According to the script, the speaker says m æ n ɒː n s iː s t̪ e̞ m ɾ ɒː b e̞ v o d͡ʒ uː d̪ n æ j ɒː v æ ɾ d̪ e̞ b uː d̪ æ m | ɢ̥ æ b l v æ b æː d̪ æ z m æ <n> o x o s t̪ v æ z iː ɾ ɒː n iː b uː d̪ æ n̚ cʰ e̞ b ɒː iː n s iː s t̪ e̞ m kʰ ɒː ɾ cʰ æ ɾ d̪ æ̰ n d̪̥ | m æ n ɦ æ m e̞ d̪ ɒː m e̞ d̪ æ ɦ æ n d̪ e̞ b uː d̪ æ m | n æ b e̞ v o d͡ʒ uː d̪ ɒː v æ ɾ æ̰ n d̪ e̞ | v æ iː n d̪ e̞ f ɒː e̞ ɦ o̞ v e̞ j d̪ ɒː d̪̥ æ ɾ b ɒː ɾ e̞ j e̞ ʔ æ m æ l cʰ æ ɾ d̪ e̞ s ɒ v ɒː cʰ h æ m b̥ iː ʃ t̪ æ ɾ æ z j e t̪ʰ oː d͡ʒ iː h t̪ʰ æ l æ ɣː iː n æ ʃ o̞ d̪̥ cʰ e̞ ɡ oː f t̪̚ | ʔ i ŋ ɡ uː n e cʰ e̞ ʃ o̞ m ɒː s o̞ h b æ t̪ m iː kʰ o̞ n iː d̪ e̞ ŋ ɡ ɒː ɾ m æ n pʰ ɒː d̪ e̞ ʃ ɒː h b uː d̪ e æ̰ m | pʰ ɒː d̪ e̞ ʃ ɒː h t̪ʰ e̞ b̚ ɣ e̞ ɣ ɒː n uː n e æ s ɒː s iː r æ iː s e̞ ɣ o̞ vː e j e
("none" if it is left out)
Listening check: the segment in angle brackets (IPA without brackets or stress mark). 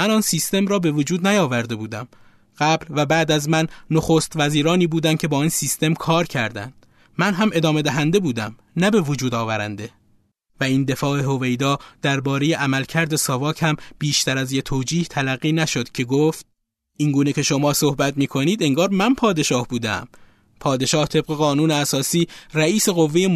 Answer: nː